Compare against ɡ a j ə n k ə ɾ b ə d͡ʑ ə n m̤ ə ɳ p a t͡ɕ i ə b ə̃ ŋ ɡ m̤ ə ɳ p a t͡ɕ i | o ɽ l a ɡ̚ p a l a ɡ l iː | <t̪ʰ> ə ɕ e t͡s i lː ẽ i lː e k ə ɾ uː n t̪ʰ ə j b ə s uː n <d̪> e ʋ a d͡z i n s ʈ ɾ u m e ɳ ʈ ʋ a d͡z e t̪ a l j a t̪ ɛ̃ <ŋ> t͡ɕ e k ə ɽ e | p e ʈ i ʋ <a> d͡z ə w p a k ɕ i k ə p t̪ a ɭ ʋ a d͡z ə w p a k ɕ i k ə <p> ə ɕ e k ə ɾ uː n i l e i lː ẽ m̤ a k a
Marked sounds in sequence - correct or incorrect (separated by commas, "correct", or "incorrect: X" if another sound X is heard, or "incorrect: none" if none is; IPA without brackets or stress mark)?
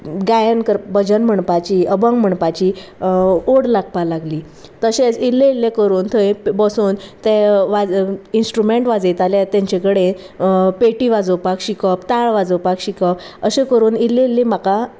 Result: incorrect: t̪, incorrect: t̪, incorrect: ɲ, correct, correct